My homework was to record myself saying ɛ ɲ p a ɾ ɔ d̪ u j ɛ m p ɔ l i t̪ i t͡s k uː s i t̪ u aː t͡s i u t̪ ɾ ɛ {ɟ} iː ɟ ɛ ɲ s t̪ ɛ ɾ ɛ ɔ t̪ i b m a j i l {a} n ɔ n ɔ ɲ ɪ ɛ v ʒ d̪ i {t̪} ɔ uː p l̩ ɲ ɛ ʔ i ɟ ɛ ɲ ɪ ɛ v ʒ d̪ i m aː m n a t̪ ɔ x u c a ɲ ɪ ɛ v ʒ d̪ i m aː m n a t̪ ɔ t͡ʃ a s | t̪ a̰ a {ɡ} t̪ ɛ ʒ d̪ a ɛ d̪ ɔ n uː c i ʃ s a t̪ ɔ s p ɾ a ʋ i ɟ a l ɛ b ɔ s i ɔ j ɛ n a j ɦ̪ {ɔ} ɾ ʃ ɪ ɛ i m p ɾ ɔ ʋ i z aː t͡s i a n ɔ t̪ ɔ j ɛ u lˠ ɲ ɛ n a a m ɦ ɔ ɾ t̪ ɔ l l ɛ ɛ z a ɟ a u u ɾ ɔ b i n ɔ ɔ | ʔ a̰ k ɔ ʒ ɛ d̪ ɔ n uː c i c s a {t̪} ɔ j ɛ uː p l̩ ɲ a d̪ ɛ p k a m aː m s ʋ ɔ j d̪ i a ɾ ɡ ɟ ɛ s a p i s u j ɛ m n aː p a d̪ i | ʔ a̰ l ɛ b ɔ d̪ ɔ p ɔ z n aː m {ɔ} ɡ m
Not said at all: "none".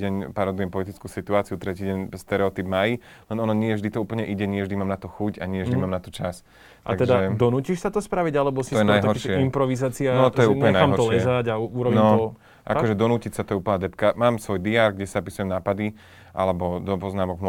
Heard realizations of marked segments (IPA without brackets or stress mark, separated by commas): c, ɛ, t̪, ɡ, ɔ, t̪, ɔ